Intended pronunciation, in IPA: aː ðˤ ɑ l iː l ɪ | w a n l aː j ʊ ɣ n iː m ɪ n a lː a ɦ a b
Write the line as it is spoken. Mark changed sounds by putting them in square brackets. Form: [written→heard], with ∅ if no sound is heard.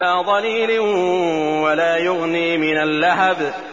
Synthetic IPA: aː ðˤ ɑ l iː l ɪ | w a [n→∅] l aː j ʊ ɣ n iː m ɪ n a lː a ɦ a b

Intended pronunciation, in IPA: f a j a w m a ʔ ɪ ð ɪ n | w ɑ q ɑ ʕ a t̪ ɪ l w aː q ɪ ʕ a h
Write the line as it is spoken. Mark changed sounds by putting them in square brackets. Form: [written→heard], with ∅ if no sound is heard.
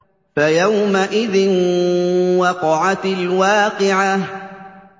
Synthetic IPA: f a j a w m a ʔ ɪ ð ɪ n | w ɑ q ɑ ʕ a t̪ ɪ l w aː q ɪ ʕ a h

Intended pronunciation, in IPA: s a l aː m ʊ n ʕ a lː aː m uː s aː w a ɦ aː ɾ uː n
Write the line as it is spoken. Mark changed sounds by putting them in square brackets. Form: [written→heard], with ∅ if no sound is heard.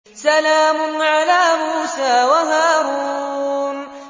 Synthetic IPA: s a l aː m ʊ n ʕ a [lː→l] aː m uː s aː w a ɦ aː ɾ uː n

